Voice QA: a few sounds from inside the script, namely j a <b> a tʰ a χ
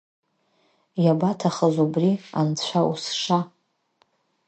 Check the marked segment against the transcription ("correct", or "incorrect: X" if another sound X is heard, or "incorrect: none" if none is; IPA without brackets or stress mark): correct